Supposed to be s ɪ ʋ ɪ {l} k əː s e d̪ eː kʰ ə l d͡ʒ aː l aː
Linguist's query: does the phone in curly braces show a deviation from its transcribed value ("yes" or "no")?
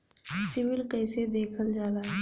no